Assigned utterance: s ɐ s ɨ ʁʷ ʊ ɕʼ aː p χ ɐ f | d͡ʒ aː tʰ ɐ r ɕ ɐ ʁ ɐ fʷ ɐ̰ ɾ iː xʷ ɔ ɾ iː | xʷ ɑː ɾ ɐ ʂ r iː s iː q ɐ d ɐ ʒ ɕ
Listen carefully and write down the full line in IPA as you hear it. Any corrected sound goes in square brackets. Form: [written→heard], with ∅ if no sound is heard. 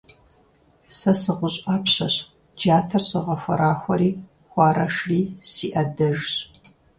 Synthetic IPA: s ɐ s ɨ ʁʷ ʊ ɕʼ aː p [χ→ɕ] ɐ [f→ɕ] | d͡ʒ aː tʰ ɐ r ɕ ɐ ʁ ɐ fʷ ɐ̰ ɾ [iː→aː] xʷ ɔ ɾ iː | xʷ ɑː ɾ ɐ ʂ r iː s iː [q→ʔ] ɐ d ɐ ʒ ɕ

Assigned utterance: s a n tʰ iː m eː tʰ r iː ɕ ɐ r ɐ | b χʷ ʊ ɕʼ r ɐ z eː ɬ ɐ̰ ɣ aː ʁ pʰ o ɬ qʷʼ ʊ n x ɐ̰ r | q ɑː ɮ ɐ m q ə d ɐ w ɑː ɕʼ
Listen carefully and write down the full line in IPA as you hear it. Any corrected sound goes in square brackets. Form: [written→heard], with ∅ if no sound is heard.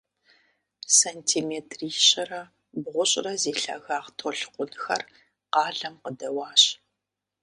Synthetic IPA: s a n tʰ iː m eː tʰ r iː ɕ ɐ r ɐ | b [χʷ→ʁʷ] ʊ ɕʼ r ɐ z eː ɬ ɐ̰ ɣ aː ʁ [pʰ→tʰ] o ɬ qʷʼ ʊ n x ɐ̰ r | q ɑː ɮ ɐ m q ə d ɐ w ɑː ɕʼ

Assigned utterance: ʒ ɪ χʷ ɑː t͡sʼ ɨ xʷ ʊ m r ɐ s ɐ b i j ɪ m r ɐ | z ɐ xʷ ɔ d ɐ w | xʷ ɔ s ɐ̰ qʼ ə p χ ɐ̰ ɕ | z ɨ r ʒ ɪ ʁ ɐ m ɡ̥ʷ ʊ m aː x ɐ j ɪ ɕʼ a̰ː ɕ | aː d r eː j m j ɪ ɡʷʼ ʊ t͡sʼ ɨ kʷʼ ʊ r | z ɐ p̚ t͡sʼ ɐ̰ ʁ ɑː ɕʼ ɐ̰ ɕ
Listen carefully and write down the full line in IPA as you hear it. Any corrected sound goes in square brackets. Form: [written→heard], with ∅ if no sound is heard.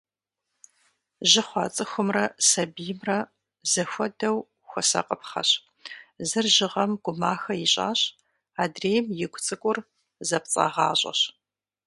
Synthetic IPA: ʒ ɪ χʷ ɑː t͡sʼ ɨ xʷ ʊ m r ɐ s ɐ b i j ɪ m r ɐ | z ɐ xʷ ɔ d ɐ w | xʷ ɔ s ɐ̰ qʼ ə p χ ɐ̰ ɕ | z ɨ r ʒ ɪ ʁ ɐ m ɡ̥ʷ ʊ m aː x ɐ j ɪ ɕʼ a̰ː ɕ | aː d r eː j m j ɪ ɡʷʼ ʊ t͡sʼ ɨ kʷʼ ʊ r | z ɐ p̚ t͡sʼ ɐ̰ ʁ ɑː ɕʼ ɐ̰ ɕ

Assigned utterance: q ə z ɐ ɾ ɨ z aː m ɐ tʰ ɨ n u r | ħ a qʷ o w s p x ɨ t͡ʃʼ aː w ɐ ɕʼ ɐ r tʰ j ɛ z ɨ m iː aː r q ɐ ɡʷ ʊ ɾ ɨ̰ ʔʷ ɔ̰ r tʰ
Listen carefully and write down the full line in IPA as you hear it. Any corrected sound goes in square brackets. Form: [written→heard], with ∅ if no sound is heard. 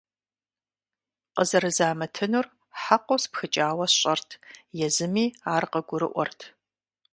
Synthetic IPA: q ə z ɐ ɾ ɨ z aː m ɐ tʰ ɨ n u r | ħ a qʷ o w s p x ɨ t͡ʃʼ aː w ɐ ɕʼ ɐ r tʰ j ɛ z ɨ m iː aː r q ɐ ɡʷ ʊ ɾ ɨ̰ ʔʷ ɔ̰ r tʰ

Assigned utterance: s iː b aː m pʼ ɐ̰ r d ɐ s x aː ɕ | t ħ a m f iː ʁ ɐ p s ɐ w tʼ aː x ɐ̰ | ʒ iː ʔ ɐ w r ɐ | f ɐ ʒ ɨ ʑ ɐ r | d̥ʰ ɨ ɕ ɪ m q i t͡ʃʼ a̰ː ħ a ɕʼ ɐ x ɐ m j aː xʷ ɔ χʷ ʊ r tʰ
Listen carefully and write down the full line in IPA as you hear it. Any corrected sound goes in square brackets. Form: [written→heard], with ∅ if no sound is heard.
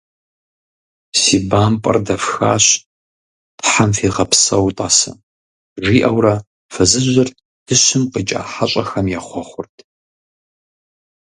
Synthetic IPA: s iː b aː m pʼ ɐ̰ r d ɐ [s→f] x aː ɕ | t ħ a m f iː ʁ ɐ p s ɐ w tʼ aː [x→s] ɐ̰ | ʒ iː ʔ ɐ w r ɐ | f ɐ [ʒ→z] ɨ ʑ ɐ r | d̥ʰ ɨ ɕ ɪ m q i t͡ʃʼ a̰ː ħ a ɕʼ ɐ x ɐ m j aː [xʷ→χʷ] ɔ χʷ ʊ r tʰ

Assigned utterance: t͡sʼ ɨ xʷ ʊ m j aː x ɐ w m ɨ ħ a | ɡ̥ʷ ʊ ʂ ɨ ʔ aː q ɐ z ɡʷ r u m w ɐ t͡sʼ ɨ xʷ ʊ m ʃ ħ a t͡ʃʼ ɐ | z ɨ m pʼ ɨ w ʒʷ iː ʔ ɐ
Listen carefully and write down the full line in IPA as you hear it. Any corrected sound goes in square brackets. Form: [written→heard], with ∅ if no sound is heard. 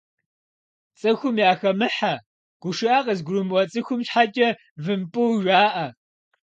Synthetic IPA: t͡sʼ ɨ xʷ ʊ m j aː x ɐ [w→∅] m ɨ ħ a | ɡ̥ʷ ʊ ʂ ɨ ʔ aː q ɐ z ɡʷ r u m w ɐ t͡sʼ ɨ xʷ ʊ m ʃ ħ a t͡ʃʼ ɐ | [z→v] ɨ m pʼ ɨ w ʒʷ [iː→aː] ʔ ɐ

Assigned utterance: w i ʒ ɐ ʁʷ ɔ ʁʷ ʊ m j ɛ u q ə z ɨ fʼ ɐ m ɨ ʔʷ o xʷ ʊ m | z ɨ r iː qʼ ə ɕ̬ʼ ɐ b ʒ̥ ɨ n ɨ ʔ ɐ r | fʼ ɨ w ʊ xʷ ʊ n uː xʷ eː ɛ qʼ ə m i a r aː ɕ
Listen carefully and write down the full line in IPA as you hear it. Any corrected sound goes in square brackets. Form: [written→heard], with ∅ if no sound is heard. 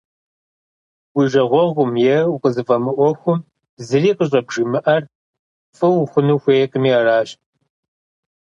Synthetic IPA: w i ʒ ɐ ʁʷ ɔ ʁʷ ʊ m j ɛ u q ə z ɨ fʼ ɐ m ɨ ʔʷ [o→ɔ] xʷ ʊ m | z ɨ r iː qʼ ə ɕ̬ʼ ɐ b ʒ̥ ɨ [n→m] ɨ ʔ ɐ r | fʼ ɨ w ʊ xʷ ʊ n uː xʷ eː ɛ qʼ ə m i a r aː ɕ

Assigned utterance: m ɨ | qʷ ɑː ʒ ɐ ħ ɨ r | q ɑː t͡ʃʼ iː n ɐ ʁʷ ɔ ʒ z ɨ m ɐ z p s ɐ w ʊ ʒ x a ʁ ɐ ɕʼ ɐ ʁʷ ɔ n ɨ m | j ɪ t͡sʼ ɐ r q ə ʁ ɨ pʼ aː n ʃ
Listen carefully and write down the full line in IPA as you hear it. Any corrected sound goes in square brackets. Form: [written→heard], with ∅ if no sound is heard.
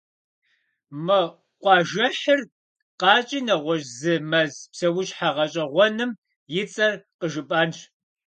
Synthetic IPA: m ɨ | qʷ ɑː ʒ ɐ ħ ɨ r | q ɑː t͡ʃʼ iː n ɐ ʁʷ ɔ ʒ z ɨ m ɐ z p s ɐ w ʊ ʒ [x→ħ] a ʁ ɐ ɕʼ ɐ ʁʷ ɔ n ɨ m | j ɪ t͡sʼ ɐ r q ə [ʁ→ʒ] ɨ pʼ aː n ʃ

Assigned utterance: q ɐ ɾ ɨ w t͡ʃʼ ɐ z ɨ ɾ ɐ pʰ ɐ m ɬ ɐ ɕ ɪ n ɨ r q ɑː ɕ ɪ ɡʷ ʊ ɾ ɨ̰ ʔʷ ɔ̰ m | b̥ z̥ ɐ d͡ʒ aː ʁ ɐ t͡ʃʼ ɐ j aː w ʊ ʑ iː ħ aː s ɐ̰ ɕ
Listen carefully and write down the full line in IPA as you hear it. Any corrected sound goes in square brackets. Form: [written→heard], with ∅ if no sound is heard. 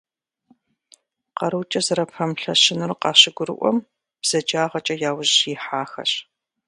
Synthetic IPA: q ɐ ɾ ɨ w t͡ʃʼ ɐ z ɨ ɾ ɐ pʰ ɐ m ɬ ɐ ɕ ɪ n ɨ r q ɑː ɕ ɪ ɡʷ ʊ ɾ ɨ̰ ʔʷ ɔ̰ m | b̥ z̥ ɐ d͡ʒ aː ʁ ɐ t͡ʃʼ ɐ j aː w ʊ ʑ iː ħ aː [s→x] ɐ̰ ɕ

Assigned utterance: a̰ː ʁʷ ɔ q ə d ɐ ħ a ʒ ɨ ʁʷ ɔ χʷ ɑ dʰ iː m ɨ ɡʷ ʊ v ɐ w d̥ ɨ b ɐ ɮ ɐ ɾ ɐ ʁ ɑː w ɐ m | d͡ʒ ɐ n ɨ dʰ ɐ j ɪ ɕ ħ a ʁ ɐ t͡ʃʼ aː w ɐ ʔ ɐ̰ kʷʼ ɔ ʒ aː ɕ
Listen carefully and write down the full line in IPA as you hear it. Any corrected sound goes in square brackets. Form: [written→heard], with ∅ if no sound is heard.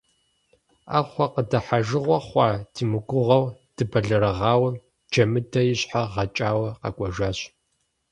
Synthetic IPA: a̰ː [ʁʷ→χʷ] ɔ q ə d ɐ ħ a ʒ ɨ ʁʷ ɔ χʷ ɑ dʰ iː m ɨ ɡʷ ʊ [v→ʁ] ɐ w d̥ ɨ b ɐ ɮ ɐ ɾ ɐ ʁ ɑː w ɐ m | d͡ʒ ɐ [n→m] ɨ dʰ ɐ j ɪ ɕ ħ a ʁ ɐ t͡ʃʼ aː w ɐ [ʔ→q] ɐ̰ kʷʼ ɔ ʒ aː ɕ

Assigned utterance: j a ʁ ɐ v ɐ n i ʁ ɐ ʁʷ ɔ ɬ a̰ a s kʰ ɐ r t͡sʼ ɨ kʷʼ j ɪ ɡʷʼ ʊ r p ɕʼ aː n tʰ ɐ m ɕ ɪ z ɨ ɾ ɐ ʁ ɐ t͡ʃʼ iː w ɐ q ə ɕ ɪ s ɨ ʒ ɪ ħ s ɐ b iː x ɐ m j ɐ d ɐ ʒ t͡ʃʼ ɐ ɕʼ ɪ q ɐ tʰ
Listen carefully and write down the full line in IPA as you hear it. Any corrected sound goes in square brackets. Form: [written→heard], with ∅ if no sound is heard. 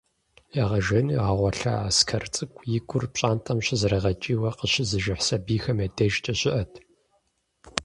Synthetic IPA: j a ʁ ɐ [v→ʒ] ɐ n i ʁ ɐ ʁʷ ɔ ɬ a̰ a s kʰ ɐ r t͡sʼ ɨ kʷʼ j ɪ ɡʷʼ ʊ r p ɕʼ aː n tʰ ɐ m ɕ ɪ z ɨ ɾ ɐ ʁ ɐ t͡ʃʼ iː w ɐ q ə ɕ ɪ [s→z] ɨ ʒ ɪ ħ s ɐ b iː x ɐ m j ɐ d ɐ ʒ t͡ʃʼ ɐ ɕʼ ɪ [q→ʔ] ɐ tʰ

